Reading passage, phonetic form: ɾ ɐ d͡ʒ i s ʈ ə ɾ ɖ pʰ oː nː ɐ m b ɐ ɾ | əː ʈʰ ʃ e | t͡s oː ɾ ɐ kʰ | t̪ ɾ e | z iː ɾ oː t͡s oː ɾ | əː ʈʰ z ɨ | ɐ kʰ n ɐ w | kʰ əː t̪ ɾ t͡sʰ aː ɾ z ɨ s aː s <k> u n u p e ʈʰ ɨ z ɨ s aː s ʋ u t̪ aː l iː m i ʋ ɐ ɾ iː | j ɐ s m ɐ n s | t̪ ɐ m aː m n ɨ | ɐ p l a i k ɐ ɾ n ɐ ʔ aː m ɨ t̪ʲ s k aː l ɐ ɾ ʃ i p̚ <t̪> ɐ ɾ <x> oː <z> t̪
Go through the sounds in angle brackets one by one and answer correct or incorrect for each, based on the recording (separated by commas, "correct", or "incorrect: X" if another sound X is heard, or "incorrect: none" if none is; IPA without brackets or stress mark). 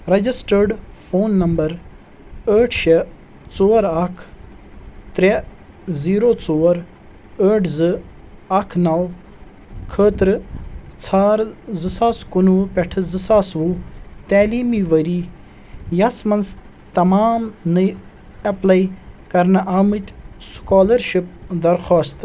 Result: correct, incorrect: d̪, correct, incorrect: s